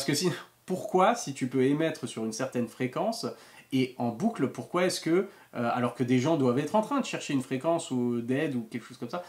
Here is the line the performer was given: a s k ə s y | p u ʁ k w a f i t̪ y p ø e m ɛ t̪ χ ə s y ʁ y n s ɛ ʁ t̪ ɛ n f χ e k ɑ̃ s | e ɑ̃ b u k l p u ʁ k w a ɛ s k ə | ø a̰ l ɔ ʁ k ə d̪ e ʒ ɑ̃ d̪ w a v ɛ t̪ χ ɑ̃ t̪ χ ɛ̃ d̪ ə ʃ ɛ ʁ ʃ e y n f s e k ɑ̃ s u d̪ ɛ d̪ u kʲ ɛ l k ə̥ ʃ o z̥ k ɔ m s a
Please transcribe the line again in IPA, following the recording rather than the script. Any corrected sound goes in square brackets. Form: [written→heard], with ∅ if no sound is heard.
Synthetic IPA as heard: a s k ə s [y→i] | p u ʁ k w a [f→s] i t̪ y p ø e m ɛ t̪ χ ə s y ʁ y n s ɛ ʁ t̪ ɛ n f χ e k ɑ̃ s | e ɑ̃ b u k l p u ʁ k w a ɛ s k ə | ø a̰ l ɔ ʁ k ə d̪ e ʒ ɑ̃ d̪ w a v ɛ t̪ χ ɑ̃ t̪ χ ɛ̃ d̪ ə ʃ ɛ ʁ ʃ e y n f [s→χ] e k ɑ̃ s u d̪ ɛ d̪ u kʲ ɛ l k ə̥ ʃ o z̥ k ɔ m s a